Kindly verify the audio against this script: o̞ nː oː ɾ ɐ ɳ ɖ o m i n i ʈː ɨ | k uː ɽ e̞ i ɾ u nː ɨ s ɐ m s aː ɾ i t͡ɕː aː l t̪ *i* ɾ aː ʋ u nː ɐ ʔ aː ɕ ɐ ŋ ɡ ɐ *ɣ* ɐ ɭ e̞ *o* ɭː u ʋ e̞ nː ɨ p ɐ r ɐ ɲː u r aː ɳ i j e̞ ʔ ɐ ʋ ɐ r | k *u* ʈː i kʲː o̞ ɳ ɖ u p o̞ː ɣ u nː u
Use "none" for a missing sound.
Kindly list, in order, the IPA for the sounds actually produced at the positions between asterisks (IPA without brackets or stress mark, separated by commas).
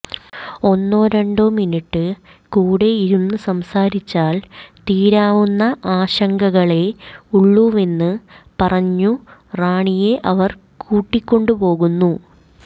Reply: iː, ɣ, u, uː